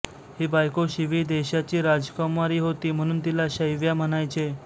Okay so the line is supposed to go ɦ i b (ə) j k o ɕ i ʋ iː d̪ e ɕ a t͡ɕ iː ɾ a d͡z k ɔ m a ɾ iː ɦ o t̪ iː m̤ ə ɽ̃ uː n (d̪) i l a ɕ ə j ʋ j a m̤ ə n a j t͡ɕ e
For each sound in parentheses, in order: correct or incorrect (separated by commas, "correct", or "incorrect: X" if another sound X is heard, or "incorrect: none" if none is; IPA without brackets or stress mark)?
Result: incorrect: a, incorrect: t̪